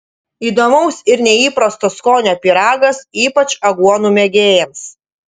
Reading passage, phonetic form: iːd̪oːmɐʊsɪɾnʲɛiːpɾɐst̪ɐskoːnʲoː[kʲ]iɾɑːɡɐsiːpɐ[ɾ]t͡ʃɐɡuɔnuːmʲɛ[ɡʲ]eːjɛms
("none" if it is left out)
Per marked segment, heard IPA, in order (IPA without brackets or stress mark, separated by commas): pʲ, none, ɡʲ